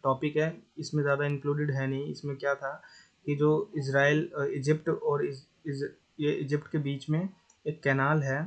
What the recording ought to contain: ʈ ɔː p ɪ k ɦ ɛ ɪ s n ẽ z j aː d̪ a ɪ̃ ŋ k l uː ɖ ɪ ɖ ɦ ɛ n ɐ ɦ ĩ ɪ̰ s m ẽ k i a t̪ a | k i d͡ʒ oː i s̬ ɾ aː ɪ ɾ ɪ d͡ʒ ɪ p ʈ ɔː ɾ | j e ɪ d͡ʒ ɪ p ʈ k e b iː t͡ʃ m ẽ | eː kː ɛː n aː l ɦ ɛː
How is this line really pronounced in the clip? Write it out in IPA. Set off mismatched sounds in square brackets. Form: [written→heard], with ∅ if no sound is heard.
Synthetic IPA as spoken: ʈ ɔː p ɪ k ɦ ɛ ɪ s [n→m] ẽ z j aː d̪ a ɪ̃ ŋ k l uː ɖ ɪ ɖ ɦ ɛ n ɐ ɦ ĩ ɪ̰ s m ẽ k [i→j] a [t̪→t̪ʰ] a | k i d͡ʒ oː [i→ɪ] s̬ ɾ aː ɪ [ɾ→l] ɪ d͡ʒ ɪ p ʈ ɔː ɾ | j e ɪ d͡ʒ ɪ p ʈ k e b iː t͡ʃ m ẽ | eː kː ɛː n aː l ɦ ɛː